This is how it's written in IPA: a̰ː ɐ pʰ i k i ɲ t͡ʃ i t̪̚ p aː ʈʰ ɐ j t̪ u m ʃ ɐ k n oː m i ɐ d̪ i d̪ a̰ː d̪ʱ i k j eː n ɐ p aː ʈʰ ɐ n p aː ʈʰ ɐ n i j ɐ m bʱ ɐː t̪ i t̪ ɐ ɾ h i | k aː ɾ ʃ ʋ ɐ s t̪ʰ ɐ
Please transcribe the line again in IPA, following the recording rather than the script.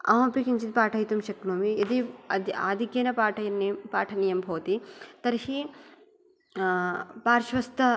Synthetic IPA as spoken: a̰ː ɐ p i k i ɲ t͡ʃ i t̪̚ p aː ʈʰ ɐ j t̪ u m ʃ ɐ k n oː m i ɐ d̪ i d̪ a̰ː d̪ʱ i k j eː n ɐ p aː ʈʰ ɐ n p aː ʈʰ ɐ n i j ɐ m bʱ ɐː t̪ i t̪ ɐ ɾ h i | p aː ɾ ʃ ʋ ɐ s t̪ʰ ɐ